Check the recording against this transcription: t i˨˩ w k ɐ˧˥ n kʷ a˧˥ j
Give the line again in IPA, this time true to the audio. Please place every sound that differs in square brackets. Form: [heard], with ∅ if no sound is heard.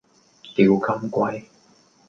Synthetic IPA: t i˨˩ w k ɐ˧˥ [m] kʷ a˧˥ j